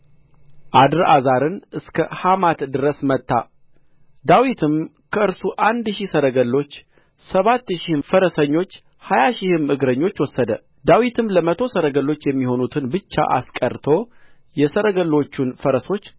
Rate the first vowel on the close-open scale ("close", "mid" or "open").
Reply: open